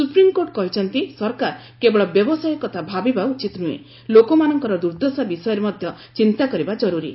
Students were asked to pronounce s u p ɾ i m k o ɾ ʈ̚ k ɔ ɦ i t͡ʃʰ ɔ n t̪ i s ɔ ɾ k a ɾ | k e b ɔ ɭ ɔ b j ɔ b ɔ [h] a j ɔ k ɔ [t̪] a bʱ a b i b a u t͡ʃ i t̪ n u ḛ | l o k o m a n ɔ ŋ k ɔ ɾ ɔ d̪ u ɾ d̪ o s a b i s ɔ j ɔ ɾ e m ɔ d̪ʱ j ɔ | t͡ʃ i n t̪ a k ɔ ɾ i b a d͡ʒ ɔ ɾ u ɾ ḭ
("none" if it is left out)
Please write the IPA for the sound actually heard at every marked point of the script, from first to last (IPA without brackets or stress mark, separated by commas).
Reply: s, t̪ʰ